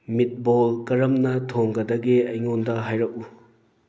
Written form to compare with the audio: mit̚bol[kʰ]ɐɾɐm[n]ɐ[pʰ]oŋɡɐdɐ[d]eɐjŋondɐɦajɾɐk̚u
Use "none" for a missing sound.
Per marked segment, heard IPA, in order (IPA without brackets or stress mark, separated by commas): k, n, tʰ, ɡ